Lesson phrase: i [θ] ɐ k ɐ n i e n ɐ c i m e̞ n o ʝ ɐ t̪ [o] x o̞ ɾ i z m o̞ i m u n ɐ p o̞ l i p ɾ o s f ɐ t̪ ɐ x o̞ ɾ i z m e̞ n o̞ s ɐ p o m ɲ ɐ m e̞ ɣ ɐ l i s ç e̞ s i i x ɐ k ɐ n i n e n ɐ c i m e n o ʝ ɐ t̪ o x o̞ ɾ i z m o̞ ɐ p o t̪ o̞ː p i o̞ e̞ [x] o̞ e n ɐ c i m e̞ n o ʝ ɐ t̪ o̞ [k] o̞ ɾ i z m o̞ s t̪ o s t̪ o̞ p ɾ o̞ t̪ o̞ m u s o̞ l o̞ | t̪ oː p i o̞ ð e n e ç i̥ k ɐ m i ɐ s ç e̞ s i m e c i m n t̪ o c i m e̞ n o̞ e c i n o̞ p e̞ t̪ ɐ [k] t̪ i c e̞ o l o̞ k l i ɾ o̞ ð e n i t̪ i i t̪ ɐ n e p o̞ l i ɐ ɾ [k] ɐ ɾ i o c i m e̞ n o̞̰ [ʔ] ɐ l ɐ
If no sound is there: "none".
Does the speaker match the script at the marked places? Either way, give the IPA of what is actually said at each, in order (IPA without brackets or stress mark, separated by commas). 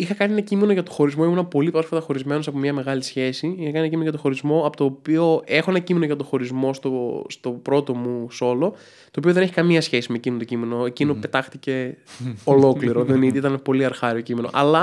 x, o, x, x, x, x, ʔ